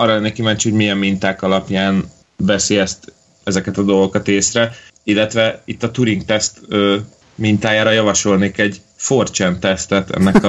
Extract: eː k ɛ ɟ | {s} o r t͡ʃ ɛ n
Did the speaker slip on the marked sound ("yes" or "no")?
yes